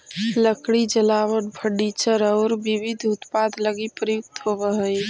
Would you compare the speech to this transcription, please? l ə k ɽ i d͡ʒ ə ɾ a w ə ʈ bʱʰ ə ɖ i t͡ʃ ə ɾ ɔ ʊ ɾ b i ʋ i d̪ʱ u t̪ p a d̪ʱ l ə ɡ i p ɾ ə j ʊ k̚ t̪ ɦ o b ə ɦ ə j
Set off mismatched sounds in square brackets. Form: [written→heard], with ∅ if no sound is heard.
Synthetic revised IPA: l ə k ɽ i d͡ʒ ə [ɾ→l] a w ə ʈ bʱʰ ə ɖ i t͡ʃ ə ɾ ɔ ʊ ɾ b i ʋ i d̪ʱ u t̪ p a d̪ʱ l ə ɡ i p ɾ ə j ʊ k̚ t̪ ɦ o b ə ɦ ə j